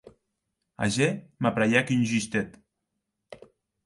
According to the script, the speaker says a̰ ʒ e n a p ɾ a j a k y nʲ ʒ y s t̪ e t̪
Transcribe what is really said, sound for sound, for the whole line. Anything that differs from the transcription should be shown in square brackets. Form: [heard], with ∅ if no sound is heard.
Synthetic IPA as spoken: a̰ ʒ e [m] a p ɾ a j a k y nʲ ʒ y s t̪ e t̪